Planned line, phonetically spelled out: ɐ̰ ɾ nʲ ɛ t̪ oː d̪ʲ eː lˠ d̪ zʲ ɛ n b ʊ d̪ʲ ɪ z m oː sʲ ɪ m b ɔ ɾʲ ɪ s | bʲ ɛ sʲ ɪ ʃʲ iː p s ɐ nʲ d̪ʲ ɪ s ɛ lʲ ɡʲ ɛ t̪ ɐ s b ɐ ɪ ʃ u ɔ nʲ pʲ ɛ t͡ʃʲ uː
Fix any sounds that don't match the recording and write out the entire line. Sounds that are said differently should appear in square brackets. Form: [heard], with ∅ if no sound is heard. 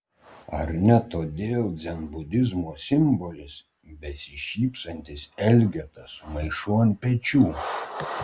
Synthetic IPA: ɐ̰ ɾ nʲ ɛ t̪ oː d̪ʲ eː lˠ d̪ zʲ ɛ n b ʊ d̪ʲ ɪ z m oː sʲ ɪ m b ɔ [lʲ] ɪ s | bʲ ɛ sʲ ɪ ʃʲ iː p s ɐ nʲ [t̪ʲ] ɪ s ɛ lʲ ɡʲ ɛ t̪ ɐ s [m] ɐ ɪ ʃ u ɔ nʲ pʲ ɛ t͡ʃʲ uː